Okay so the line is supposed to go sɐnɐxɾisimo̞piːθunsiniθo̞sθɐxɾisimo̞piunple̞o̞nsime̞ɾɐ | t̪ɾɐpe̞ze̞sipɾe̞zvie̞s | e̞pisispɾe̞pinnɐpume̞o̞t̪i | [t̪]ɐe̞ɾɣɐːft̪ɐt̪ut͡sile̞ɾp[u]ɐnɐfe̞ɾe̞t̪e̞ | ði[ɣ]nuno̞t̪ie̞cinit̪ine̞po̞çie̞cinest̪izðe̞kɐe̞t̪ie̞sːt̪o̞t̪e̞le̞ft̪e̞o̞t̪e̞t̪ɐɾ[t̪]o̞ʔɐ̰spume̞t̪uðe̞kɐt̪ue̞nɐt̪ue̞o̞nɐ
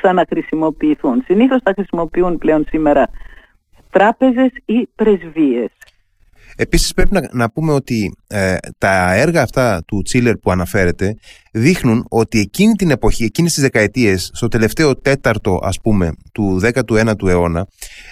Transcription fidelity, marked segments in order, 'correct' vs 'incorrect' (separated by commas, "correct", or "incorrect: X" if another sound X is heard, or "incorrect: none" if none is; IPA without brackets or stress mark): correct, correct, incorrect: x, correct